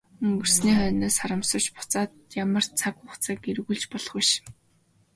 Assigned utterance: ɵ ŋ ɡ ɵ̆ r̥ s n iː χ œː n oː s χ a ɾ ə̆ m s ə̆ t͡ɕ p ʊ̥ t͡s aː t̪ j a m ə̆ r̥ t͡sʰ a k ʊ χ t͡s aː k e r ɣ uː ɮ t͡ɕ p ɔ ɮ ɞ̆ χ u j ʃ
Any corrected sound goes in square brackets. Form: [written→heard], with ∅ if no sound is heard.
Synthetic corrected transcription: ɵ ŋ ɡ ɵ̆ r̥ s n iː χ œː n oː s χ a ɾ ə̆ m s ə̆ t͡ɕ p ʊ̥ t͡s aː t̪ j a m ə̆ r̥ t͡sʰ a k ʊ χ t͡s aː k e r ɣ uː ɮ t͡ɕ p ɔ ɮ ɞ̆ χ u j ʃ

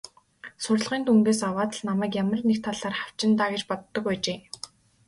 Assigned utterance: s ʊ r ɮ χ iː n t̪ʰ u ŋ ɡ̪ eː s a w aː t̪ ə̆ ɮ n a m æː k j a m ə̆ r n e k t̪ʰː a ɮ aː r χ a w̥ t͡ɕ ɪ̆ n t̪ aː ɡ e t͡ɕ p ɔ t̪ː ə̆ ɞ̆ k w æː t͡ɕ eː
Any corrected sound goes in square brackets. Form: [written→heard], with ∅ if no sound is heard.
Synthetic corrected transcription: s ʊ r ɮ [χ→ʁ] iː n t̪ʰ u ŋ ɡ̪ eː s a w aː t̪ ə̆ ɮ n a m æː k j a m ə̆ r n e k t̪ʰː a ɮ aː r χ a w̥ t͡ɕ ɪ̆ n t̪ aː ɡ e t͡ɕ p ɔ t̪ː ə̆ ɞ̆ k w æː t͡ɕ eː

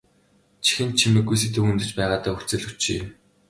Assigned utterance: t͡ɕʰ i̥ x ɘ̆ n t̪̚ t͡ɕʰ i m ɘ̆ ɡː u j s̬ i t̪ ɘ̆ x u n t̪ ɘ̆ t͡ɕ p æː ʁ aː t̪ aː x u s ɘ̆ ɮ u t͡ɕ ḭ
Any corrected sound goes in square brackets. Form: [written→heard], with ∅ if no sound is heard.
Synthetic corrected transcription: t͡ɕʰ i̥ x ɘ̆ n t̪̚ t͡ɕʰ i m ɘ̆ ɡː u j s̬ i t̪ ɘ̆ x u n t̪ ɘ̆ t͡ɕ p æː ʁ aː t̪ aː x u [s→t͡s] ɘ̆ ɮ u t͡ɕ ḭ

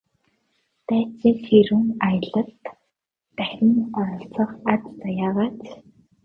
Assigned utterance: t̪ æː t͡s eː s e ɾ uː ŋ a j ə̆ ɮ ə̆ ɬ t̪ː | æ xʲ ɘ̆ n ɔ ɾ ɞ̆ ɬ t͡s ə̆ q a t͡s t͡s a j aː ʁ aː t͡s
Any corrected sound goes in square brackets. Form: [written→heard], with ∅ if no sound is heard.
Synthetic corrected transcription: t̪ æː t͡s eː s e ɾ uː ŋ a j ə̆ ɮ ə̆ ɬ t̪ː | æ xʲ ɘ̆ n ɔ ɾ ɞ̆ ɬ t͡s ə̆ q a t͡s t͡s a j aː ʁ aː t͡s

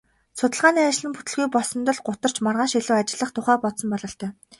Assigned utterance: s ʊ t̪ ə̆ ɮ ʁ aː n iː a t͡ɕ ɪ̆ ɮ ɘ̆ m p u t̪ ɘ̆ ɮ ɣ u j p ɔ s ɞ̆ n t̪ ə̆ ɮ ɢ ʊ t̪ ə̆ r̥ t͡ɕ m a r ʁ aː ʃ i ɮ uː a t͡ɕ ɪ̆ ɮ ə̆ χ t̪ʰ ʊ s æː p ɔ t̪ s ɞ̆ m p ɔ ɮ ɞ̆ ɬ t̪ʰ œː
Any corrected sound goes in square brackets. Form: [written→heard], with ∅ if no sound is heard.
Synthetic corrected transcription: s ʊ t̪ ə̆ ɮ ʁ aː n iː a t͡ɕ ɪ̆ ɮ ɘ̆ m p u t̪ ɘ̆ ɮ ɣ u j p ɔ s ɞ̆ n t̪ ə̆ ɮ ɢ ʊ t̪ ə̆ r̥ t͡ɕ m a r ʁ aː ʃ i ɮ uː a t͡ɕ ɪ̆ ɮ ə̆ χ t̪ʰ ʊ [s→χ] æː p ɔ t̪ s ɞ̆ m p ɔ ɮ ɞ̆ ɬ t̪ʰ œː

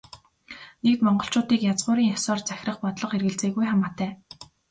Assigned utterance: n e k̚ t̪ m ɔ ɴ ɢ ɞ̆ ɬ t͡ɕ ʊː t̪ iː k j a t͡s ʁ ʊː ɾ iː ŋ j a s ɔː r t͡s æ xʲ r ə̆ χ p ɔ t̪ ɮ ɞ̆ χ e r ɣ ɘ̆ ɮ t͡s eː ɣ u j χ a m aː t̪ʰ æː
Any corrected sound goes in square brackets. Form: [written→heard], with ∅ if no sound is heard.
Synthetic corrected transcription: n e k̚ t̪ m ɔ ɴ ɢ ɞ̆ ɬ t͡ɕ ʊː t̪ iː k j a t͡s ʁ ʊː ɾ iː ŋ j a s ɔː r t͡s æ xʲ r ə̆ χ p ɔ t̪ ɮ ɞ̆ χ e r ɣ ɘ̆ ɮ t͡s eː ɣ u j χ a m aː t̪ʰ æː

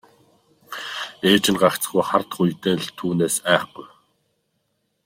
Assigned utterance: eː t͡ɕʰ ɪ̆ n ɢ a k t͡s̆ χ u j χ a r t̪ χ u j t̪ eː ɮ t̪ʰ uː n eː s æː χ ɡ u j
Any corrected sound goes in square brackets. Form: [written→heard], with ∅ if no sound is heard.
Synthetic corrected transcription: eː [t͡ɕʰ→t͡ɕ] ɪ̆ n ɢ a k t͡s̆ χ u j χ a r t̪ χ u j t̪ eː ɮ t̪ʰ uː n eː s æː χ ɡ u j

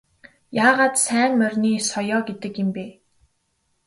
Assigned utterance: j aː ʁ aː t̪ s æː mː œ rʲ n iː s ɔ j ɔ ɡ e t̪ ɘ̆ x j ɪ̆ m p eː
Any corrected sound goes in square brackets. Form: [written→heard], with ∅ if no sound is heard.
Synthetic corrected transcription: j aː ʁ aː t̪ s æː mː œ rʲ n iː s ɔ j [ɔ→ɔː] ɡ e t̪ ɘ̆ [x→k] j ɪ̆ m p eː

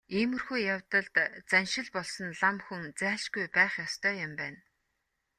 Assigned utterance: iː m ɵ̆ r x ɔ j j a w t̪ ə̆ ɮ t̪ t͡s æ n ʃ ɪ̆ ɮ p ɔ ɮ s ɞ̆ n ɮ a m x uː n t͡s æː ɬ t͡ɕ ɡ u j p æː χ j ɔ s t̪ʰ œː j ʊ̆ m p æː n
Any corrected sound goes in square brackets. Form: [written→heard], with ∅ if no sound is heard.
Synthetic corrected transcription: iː m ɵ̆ r x [ɔ→u] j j a w t̪ ə̆ ɮ t̪ t͡s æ n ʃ ɪ̆ ɮ p ɔ ɮ s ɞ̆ n ɮ a m x [uː→u] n t͡s æː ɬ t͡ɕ ɡ u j p æː χ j ɔ s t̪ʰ œː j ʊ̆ m p æː n

